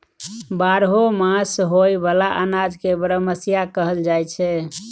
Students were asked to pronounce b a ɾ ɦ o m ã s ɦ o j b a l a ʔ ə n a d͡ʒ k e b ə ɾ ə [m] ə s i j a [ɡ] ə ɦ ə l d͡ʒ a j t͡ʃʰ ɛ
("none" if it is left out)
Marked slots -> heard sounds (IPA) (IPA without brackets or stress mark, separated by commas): m, k